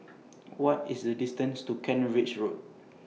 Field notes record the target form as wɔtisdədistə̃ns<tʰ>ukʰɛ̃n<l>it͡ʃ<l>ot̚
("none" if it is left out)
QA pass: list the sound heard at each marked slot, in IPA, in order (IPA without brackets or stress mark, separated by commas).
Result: t, ɹ, ɹ